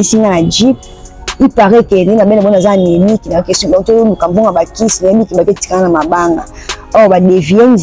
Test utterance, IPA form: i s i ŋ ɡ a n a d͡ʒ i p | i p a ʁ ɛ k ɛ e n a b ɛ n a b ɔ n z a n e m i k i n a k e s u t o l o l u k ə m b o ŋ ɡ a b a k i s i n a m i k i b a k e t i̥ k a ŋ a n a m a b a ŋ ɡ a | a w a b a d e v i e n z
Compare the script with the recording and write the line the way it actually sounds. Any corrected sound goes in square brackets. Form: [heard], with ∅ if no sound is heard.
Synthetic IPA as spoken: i s i ŋ ɡ a n a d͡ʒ i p | i p a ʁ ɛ k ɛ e n a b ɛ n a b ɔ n z a n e m i k i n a k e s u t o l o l u k [a] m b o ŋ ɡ a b a k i s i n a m i k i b a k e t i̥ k a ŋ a n a m a b a ŋ ɡ a | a w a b a d e v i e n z